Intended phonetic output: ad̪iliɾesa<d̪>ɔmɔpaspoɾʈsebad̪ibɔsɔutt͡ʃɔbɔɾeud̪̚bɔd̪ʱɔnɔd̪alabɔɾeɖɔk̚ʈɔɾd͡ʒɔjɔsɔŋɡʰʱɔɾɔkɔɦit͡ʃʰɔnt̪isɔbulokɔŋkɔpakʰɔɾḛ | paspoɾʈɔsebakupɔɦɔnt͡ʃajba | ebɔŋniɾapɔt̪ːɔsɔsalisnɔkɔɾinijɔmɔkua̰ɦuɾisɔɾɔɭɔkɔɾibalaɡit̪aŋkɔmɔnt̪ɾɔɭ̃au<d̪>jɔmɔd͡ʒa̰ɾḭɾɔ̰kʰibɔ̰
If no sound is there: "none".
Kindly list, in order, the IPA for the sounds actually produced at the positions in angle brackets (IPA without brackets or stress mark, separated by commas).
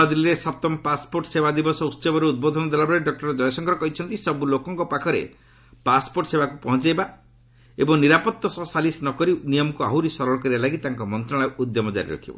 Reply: t̪, d̪